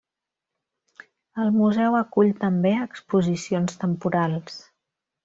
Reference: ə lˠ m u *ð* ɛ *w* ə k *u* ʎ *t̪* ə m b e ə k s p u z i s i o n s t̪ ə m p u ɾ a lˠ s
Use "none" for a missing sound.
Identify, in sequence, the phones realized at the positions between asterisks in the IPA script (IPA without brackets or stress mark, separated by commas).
z, w, u, t̪